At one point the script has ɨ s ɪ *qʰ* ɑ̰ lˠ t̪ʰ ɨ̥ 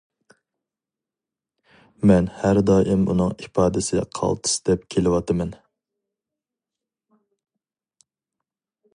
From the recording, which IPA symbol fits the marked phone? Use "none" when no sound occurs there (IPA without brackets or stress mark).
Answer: qʰ